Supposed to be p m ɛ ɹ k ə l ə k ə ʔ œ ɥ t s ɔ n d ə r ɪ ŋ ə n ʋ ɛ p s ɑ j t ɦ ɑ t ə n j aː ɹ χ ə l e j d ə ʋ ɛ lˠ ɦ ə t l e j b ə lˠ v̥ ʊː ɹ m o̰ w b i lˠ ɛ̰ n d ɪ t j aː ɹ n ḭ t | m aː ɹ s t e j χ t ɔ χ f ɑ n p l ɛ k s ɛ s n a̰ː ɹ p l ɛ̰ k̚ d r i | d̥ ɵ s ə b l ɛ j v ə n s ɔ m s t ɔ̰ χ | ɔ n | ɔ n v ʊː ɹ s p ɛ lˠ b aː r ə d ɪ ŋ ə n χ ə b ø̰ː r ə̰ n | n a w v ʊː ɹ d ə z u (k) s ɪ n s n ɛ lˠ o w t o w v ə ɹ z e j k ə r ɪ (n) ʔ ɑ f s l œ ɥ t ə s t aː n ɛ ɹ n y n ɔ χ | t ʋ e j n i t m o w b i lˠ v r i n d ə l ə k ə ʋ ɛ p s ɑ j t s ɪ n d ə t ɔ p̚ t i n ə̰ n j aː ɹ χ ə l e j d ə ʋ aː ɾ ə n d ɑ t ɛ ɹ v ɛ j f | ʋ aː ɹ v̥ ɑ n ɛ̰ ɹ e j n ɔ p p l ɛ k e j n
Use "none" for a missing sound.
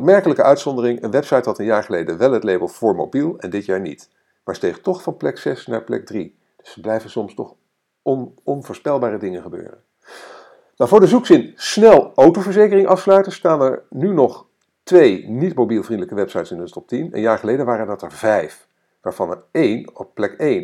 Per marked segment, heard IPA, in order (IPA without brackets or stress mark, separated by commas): k, ŋ